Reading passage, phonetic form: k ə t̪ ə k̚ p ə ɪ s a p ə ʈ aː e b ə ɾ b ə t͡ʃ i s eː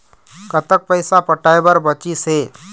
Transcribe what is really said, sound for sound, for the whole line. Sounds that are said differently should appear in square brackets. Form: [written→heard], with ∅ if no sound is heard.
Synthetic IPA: k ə t̪ ə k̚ p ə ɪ s a p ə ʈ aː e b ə ɾ b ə t͡ʃ i s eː